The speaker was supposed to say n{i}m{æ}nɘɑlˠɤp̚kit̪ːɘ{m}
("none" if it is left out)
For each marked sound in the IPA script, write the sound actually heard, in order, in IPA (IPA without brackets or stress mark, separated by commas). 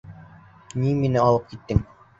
i, i, ŋ